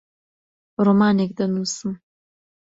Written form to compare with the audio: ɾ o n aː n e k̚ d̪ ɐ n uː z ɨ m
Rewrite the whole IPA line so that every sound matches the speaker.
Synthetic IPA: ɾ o m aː n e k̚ d̪ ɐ n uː s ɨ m